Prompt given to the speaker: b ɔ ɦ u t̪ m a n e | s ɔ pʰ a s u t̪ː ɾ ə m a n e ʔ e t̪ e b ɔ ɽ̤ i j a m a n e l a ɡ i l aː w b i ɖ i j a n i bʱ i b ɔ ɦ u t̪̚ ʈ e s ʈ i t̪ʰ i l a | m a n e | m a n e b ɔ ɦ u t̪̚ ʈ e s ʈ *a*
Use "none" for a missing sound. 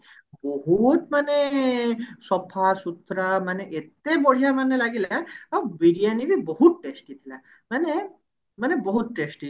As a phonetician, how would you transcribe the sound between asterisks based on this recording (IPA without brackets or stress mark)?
i